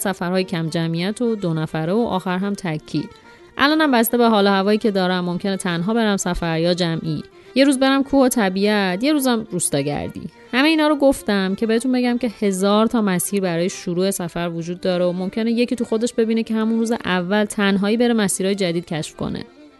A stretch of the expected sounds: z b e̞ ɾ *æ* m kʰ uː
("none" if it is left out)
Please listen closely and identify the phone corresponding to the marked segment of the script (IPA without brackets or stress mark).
æ